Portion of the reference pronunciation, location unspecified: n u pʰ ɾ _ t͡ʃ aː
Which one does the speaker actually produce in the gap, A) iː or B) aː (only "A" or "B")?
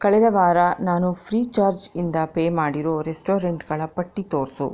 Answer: A